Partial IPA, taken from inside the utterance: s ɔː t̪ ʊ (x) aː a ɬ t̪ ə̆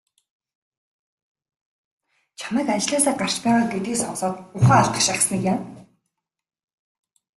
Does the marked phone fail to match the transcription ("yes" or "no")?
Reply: yes